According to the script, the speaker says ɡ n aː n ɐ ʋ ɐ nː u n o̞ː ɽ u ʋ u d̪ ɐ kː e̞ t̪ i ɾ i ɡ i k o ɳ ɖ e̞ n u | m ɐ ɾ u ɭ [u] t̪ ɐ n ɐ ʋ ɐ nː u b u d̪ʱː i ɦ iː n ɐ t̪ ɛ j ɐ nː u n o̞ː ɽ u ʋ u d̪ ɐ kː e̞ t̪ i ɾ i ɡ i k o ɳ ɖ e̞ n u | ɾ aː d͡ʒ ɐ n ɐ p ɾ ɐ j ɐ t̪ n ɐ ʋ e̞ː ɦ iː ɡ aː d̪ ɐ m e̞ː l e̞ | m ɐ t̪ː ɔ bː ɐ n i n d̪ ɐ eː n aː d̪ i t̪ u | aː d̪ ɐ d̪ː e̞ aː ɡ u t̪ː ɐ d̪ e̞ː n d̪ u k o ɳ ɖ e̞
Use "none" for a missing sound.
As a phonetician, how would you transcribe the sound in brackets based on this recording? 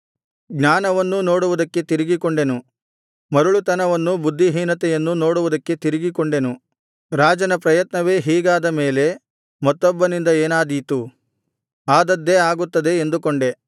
u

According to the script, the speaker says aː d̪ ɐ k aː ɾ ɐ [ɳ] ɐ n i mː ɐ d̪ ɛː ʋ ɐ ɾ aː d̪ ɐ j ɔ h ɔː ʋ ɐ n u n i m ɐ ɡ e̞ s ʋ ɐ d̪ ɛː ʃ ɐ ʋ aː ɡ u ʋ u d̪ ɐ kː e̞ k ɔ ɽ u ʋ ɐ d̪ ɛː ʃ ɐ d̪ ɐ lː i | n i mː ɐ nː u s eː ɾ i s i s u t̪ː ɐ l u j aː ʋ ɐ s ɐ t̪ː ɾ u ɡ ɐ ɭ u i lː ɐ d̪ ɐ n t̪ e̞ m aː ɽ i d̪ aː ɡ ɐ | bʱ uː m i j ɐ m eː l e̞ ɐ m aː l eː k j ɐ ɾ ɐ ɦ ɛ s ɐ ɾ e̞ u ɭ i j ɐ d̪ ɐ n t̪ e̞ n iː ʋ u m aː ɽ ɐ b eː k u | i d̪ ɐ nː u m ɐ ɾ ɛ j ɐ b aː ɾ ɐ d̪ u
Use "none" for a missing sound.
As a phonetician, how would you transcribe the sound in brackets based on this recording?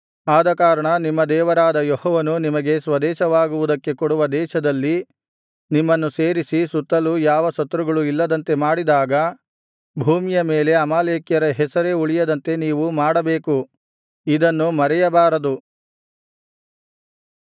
ɳ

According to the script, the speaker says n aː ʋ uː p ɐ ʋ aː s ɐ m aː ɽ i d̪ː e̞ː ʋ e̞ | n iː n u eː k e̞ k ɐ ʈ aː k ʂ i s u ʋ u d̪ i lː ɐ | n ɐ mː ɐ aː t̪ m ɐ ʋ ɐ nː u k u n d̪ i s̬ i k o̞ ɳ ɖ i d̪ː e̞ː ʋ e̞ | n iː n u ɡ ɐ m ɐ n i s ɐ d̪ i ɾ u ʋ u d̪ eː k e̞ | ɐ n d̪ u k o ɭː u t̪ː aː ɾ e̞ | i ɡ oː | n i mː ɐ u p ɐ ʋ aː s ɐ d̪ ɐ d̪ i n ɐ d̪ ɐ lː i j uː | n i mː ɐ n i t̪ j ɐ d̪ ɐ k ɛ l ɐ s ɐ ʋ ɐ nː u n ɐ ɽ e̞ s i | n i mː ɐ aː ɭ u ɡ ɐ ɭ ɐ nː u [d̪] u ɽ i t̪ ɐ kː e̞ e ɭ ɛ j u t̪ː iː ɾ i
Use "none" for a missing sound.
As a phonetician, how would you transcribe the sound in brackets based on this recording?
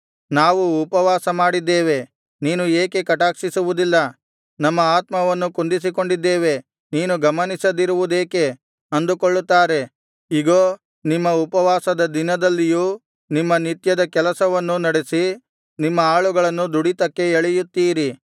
d̪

